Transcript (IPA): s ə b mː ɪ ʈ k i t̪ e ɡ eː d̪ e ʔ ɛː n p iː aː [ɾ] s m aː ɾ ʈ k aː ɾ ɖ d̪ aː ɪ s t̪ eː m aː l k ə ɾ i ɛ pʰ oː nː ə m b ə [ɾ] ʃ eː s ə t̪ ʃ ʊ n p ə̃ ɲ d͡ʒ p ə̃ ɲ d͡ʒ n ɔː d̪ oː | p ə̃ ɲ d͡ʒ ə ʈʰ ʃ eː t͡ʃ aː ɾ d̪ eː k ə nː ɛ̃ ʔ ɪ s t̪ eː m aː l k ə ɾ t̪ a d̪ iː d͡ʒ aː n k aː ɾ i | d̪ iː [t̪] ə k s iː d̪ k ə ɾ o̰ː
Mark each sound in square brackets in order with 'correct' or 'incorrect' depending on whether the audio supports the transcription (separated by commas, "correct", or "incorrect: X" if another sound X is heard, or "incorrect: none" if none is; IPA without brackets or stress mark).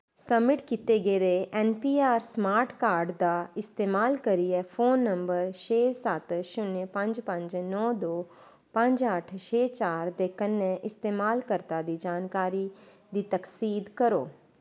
correct, correct, correct